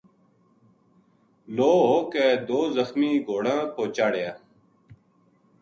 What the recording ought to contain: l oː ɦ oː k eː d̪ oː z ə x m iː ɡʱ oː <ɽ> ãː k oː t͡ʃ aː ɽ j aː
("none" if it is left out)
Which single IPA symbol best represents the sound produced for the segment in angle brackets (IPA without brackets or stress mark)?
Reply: ɽ